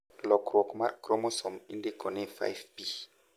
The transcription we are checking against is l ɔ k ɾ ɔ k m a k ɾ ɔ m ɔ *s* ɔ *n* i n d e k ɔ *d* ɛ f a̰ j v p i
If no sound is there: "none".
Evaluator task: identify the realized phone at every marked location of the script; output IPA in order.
s, m, n

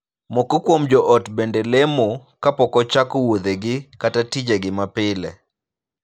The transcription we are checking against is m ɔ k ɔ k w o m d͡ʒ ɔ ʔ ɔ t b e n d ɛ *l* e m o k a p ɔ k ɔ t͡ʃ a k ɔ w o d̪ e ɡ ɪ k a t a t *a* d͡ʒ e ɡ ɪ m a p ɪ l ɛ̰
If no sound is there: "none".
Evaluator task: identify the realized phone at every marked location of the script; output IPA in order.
l, i

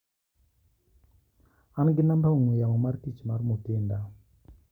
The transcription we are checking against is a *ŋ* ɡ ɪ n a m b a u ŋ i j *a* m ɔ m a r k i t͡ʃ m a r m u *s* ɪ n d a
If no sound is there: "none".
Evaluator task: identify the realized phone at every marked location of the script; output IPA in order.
n, a, t

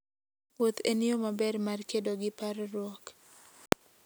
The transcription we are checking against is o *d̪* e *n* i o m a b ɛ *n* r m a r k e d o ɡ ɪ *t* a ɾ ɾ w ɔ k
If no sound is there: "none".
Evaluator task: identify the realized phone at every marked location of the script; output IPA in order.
t̪, n, none, p

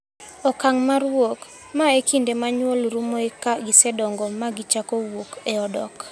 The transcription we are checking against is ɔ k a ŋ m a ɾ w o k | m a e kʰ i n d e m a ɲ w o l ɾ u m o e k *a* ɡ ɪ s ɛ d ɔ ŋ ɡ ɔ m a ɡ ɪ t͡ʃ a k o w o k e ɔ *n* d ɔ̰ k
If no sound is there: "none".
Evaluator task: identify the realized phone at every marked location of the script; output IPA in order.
a, none

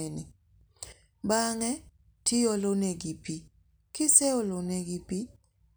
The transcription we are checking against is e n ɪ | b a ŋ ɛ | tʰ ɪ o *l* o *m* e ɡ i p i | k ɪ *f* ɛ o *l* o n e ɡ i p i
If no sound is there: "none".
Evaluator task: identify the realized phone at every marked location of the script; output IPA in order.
l, n, s, l

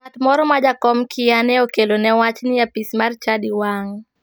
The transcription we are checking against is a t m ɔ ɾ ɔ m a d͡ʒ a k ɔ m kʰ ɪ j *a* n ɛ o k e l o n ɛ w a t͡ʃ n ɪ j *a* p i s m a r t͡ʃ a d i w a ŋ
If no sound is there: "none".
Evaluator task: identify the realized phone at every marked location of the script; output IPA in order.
a, a

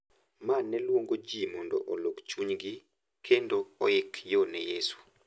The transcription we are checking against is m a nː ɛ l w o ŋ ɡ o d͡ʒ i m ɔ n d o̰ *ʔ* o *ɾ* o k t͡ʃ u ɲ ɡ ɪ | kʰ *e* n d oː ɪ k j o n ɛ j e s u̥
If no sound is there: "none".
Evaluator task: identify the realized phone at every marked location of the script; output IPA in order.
ʔ, l, e

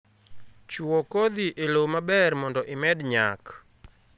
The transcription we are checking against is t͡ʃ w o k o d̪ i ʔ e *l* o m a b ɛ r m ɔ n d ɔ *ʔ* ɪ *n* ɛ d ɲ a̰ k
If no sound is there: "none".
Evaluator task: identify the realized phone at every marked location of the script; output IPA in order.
l, ʔ, m

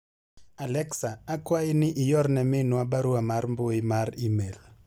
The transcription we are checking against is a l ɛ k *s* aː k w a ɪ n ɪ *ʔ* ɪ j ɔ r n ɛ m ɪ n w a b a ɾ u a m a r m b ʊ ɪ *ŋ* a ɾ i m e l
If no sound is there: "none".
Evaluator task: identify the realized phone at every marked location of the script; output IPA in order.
s, ʔ, m

